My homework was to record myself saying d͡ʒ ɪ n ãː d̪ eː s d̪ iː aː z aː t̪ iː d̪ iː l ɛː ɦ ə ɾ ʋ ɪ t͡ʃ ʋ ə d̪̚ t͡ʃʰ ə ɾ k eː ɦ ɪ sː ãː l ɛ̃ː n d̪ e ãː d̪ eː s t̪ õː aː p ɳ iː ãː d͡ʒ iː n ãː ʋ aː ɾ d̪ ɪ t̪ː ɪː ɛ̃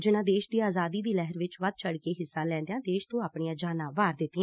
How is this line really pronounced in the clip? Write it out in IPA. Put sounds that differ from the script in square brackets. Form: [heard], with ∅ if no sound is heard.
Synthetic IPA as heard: d͡ʒ ɪ n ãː d̪ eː [ʃ] d̪ iː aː z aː [d̪] iː d̪ iː l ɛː ɦ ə ɾ ʋ ɪ t͡ʃ ʋ ə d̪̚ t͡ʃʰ ə [ɽ] k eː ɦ ɪ sː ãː l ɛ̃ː n d̪ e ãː d̪ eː [ʃ] t̪ õː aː p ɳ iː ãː d͡ʒ [aː] n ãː ʋ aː ɾ d̪ ɪ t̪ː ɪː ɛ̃